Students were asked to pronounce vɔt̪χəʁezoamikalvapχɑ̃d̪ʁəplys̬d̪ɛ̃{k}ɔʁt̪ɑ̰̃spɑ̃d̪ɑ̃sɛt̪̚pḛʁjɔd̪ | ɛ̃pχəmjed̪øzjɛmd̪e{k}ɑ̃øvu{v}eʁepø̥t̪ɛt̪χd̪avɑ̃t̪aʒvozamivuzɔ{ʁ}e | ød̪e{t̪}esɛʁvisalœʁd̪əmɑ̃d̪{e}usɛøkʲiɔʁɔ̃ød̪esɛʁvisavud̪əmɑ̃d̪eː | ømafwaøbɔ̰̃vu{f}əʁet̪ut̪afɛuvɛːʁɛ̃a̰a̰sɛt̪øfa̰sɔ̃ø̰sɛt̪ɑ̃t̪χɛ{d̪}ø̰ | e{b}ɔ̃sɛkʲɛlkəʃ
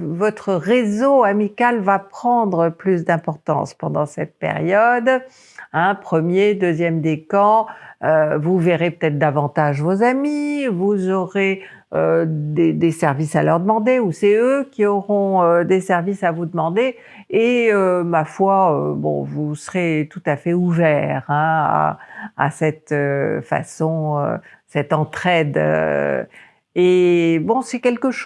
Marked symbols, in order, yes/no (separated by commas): no, yes, yes, yes, no, yes, no, yes, yes